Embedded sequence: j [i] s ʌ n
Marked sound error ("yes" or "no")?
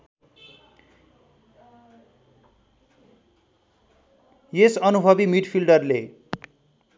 yes